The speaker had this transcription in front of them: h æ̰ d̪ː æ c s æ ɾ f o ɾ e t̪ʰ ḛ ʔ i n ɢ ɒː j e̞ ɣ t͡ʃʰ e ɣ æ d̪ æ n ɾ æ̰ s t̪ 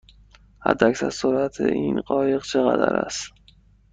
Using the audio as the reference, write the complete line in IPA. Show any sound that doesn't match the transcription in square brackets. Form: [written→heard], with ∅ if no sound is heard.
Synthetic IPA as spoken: h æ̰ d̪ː æ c s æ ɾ [f→s] o ɾ [e→æ] t̪ʰ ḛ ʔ i n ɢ ɒː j e̞ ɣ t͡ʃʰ e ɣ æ d̪ æ [n→∅] ɾ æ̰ s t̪

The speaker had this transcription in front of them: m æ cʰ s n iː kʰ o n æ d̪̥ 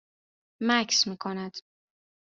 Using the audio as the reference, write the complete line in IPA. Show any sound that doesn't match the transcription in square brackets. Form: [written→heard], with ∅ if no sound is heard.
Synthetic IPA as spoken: m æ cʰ s [n→m] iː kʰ o n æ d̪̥

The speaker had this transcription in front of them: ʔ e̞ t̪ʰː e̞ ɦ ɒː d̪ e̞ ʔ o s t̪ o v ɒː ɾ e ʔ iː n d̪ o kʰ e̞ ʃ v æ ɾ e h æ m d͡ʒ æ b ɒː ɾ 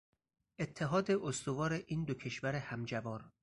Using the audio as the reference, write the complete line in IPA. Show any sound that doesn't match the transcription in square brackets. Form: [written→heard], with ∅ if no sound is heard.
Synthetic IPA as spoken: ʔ e̞ t̪ʰː e̞ ɦ ɒː d̪ e̞ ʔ o s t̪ o v ɒː ɾ e ʔ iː n d̪ o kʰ e̞ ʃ v æ ɾ e h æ m d͡ʒ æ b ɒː ɾ

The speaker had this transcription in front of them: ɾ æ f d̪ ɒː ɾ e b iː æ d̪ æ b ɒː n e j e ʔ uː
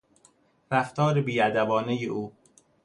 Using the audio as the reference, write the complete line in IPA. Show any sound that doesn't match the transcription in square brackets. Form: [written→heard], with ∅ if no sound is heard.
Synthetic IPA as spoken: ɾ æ f [d̪→t̪] ɒː ɾ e b iː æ d̪ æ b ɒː n e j e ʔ uː

